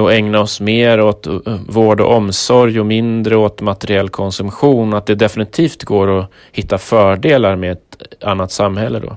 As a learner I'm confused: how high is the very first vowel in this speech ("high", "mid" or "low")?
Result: mid